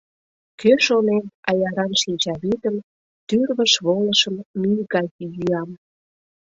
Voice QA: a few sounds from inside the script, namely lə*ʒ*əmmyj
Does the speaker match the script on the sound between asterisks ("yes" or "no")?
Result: no